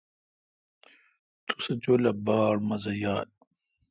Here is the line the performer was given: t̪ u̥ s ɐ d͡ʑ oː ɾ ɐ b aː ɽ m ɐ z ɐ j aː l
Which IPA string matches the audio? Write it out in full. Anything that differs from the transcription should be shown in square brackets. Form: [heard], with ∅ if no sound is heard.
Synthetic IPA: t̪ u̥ s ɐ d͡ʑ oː [l] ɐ b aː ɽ m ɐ z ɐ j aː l